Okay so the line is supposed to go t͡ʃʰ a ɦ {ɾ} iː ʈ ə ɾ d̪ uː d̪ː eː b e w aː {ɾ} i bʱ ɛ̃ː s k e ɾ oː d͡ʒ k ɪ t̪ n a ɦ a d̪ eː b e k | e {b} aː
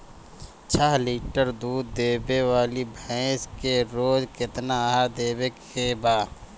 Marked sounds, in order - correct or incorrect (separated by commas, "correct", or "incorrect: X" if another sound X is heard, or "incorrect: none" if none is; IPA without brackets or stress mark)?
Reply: incorrect: l, incorrect: l, correct